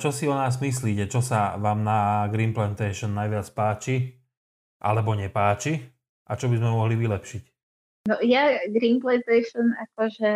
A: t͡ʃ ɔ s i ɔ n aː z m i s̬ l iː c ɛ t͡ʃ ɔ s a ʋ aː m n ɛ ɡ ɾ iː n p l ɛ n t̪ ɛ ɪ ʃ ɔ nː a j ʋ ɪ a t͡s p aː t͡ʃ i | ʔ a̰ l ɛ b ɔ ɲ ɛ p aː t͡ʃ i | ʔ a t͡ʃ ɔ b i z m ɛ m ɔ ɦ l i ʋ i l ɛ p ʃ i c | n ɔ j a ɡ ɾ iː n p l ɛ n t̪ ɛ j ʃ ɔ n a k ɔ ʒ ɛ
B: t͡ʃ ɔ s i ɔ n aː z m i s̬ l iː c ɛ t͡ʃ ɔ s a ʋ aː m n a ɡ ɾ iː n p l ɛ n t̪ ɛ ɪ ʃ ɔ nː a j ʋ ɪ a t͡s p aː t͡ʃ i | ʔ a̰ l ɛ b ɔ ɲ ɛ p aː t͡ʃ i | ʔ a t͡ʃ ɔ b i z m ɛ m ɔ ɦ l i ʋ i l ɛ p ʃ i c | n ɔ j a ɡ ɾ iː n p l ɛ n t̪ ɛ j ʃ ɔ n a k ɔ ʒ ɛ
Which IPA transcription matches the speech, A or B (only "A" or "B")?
B